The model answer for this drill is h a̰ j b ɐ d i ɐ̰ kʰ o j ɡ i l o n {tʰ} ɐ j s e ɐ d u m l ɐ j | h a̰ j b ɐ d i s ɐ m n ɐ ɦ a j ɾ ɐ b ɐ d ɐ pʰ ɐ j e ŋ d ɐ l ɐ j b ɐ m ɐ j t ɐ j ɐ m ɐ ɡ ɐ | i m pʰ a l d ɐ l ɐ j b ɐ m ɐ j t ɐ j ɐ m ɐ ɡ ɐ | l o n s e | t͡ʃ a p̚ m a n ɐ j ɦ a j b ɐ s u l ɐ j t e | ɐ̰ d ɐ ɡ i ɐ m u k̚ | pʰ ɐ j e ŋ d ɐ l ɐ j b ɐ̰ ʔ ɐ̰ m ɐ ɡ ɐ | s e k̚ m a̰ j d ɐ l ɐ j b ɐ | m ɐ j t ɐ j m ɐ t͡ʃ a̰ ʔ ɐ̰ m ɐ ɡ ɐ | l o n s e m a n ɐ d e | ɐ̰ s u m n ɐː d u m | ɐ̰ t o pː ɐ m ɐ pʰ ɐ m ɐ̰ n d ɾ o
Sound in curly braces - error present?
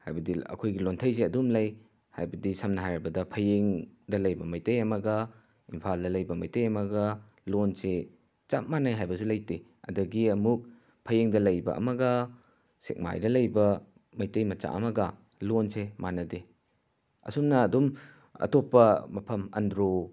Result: no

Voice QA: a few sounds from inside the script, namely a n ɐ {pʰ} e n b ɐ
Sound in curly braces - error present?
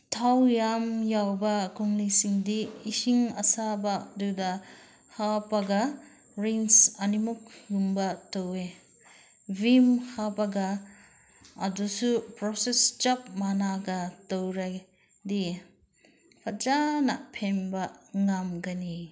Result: no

